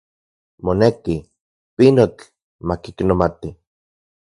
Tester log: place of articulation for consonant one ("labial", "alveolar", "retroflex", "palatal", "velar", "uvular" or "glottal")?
labial